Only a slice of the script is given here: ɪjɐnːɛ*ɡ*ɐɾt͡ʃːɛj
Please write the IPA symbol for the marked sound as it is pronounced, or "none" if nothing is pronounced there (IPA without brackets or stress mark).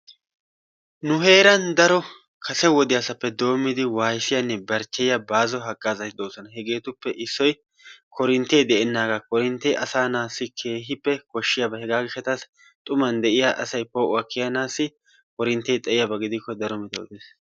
b